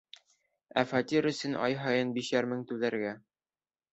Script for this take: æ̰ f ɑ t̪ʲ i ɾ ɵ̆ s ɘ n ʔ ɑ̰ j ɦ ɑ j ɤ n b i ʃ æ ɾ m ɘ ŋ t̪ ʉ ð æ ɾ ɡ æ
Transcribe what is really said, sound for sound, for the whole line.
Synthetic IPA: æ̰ f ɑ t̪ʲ i ɾ ɵ̆ s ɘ n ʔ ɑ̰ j ɦ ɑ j ɤ n b i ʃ æ ɾ m ɘ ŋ t̪ ʉ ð æ ɾ ɡ æ